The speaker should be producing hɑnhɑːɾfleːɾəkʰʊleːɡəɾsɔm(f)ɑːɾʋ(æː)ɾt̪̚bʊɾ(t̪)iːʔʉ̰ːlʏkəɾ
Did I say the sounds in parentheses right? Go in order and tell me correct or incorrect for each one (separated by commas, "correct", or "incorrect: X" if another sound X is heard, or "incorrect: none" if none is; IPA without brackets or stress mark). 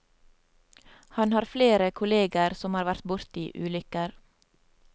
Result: incorrect: h, incorrect: æ, correct